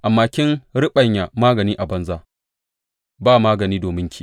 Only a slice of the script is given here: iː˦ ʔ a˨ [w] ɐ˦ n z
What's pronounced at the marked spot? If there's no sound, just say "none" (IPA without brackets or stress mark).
b